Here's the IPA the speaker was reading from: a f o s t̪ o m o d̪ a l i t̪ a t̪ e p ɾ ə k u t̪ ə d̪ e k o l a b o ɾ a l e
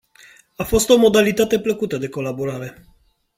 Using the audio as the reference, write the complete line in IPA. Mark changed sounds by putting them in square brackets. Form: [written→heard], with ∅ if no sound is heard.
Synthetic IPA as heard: a f o s t̪ o m o d̪ a l i t̪ a t̪ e p [ɾ→l] ə k u t̪ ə d̪ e k o l a b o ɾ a [l→ɾ] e